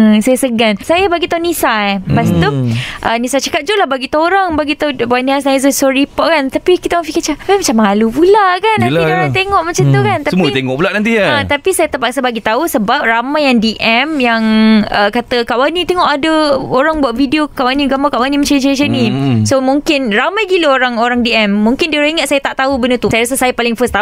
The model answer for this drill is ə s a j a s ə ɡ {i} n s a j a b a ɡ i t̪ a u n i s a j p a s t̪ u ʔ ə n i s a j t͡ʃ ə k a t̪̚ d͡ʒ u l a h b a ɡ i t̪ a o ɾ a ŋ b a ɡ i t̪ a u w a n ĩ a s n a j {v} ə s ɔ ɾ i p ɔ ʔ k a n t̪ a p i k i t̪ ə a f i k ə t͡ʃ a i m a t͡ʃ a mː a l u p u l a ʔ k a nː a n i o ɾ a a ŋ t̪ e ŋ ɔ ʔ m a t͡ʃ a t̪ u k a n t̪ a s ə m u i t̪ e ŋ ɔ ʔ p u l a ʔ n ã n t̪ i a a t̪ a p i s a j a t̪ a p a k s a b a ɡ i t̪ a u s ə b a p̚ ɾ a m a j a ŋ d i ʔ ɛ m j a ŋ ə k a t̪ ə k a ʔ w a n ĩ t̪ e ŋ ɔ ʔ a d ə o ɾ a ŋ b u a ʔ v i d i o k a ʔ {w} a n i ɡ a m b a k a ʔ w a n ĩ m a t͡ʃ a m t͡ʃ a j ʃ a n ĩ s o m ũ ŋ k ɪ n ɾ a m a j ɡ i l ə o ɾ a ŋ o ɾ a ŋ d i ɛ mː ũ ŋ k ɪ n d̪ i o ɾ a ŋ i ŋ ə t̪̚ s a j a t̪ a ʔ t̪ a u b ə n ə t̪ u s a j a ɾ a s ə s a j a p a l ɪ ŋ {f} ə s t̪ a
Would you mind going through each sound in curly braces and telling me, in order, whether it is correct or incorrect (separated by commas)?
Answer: incorrect, incorrect, correct, correct